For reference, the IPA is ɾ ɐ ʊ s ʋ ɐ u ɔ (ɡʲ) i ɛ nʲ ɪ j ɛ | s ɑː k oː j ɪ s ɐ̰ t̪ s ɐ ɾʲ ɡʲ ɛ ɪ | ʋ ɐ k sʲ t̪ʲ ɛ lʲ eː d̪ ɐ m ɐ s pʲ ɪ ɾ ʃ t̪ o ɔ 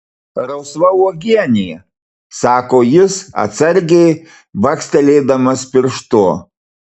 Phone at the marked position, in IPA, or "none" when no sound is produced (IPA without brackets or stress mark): ɡʲ